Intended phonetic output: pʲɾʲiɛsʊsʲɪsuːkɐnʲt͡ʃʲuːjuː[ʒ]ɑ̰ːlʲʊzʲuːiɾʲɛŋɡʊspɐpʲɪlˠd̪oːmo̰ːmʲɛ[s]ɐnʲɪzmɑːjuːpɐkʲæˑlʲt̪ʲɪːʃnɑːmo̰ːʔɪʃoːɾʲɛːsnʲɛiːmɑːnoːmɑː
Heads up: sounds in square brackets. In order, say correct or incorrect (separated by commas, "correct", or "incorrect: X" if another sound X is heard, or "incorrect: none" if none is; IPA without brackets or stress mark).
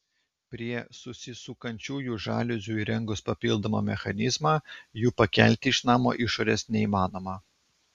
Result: correct, incorrect: x